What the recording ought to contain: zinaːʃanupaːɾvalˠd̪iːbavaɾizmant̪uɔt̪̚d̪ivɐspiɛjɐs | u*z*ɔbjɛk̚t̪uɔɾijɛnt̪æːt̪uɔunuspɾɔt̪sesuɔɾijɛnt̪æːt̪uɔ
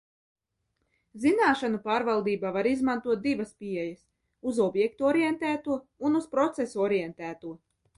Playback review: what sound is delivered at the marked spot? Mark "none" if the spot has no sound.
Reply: z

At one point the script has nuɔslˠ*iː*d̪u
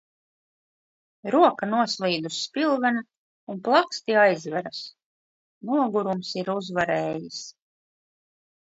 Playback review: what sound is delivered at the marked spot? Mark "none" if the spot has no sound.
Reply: iː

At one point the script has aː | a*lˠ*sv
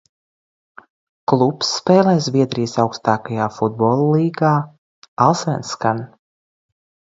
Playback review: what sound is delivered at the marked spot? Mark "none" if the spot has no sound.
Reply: lˠ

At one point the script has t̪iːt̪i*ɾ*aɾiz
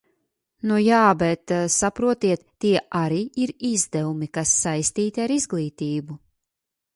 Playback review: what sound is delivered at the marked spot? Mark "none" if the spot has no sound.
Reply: none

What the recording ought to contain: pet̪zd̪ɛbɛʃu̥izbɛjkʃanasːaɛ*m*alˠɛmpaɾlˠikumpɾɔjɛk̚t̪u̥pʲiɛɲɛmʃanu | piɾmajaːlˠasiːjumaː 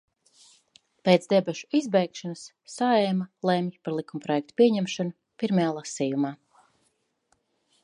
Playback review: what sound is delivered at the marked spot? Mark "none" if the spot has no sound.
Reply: m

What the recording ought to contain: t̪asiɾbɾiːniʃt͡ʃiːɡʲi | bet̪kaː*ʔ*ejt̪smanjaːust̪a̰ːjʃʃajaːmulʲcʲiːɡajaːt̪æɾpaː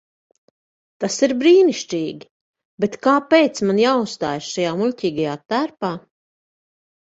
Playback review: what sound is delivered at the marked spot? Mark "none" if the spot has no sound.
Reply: p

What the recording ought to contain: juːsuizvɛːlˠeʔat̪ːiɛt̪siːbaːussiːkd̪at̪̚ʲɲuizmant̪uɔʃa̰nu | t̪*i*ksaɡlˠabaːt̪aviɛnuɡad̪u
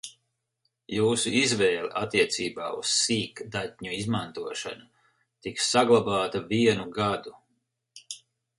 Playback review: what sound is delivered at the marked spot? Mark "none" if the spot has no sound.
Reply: i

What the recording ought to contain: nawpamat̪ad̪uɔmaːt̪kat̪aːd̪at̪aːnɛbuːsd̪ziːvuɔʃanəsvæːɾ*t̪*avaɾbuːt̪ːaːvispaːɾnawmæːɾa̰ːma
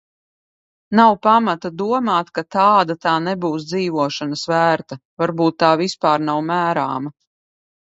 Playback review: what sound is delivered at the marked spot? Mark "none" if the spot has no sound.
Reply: t̪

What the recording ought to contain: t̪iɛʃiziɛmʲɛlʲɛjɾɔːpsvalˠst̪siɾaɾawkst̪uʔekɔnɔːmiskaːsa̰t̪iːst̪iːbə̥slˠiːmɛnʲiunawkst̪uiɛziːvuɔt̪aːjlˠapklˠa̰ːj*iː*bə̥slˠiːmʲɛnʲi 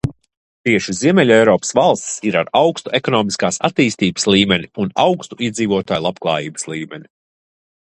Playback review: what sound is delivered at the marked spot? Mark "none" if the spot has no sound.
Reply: iː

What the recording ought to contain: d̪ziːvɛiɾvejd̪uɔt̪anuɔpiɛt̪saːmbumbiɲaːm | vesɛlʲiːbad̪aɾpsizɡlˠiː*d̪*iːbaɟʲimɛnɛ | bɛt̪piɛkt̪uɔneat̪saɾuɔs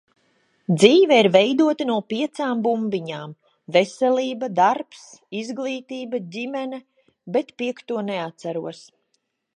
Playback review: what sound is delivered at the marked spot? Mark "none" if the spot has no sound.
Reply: t̪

